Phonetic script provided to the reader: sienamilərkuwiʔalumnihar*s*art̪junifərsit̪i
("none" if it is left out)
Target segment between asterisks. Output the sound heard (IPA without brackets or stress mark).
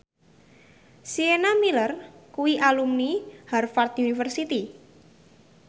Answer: f